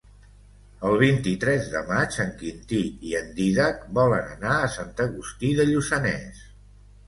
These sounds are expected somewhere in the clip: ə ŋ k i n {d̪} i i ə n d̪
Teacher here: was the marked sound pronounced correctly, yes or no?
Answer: no